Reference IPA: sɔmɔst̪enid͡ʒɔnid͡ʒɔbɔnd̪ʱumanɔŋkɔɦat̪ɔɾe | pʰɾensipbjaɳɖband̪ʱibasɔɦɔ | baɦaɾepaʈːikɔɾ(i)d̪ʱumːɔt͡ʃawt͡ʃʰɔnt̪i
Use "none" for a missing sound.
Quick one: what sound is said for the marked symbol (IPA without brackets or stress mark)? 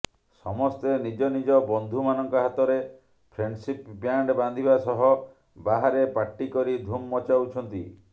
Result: i